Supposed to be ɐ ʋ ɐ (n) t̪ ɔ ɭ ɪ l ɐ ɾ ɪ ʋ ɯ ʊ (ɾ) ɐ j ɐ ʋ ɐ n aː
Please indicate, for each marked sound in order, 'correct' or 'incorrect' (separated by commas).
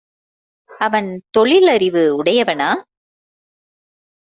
correct, incorrect